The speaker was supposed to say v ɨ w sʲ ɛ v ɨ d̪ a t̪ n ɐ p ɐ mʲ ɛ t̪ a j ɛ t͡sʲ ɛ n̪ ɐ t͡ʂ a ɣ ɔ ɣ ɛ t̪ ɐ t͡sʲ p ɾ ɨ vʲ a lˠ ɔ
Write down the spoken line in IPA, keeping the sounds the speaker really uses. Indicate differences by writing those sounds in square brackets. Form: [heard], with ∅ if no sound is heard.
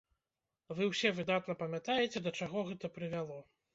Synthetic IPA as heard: v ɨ w sʲ ɛ v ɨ d̪ a t̪ n ɐ p ɐ mʲ [a] t̪ a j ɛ t͡sʲ ɛ [d̪] ɐ t͡ʂ a ɣ ɔ ɣ ɛ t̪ ɐ [∅] p ɾ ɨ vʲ a lˠ ɔ